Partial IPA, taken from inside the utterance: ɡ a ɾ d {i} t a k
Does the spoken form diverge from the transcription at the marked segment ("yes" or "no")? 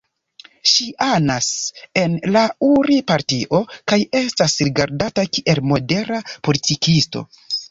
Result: yes